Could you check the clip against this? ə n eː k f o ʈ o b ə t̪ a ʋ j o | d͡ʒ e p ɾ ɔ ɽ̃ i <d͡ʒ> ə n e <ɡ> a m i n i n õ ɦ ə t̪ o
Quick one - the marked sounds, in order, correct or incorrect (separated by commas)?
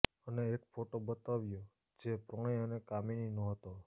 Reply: incorrect, incorrect